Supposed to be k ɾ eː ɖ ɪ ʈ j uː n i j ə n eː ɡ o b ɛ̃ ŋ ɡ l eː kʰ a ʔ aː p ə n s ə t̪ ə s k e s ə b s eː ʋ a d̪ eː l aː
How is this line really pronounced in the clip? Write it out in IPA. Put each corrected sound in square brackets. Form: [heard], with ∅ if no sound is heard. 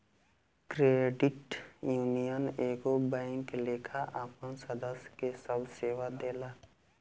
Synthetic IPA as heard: k ɾ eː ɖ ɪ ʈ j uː n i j ə n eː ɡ o b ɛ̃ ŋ [k] l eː kʰ a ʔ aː p ə n s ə [d̪] ə s k e s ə b s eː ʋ a d̪ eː l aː